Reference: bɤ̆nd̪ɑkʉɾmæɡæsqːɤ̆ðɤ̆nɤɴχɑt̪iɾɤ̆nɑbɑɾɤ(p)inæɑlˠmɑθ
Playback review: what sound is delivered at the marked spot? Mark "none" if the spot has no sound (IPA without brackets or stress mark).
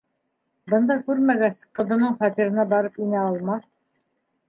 p